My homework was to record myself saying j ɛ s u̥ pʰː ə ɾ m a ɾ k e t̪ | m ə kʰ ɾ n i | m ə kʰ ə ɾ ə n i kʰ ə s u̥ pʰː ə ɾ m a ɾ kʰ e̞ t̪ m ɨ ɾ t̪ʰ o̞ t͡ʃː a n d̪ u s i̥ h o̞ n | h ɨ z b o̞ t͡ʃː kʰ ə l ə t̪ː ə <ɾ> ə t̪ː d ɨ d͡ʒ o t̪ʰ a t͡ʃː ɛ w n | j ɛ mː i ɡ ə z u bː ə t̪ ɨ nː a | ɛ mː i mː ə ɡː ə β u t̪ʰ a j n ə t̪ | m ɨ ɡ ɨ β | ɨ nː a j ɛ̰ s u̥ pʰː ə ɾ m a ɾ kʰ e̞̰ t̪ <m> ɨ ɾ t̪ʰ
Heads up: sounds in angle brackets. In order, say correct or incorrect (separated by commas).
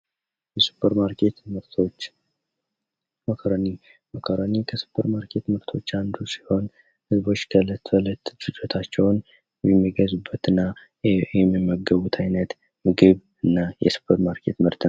incorrect, correct